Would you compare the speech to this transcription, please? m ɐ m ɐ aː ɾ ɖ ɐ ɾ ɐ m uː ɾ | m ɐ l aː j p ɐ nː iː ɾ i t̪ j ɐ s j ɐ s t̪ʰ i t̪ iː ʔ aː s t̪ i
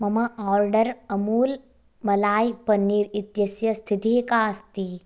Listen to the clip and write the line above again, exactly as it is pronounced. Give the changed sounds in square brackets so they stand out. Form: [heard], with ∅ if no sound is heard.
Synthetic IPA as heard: m ɐ m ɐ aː ɾ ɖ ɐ ɾ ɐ m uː [l] | m ɐ l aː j p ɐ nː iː ɾ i t̪ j ɐ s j ɐ s t̪ʰ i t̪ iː [k] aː s t̪ i